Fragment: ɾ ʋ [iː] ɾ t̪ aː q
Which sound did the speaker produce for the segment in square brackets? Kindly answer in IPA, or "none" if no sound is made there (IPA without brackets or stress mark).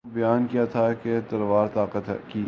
aː